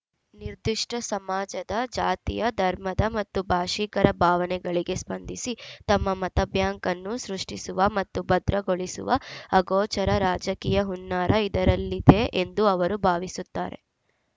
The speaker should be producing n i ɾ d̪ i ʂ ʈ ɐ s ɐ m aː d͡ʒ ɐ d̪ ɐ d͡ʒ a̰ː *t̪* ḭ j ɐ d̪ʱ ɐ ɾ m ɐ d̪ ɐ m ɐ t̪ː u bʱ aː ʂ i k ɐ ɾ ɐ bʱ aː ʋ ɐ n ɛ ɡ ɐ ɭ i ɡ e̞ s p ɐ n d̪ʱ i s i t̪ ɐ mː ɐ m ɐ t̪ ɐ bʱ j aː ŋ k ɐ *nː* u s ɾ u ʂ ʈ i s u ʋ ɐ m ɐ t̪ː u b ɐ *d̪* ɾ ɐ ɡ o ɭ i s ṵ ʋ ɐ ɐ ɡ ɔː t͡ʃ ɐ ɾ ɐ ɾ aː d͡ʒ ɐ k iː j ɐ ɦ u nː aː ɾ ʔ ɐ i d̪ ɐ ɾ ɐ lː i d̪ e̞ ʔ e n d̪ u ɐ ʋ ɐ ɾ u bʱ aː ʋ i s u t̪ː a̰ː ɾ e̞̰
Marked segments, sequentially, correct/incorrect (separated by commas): correct, correct, correct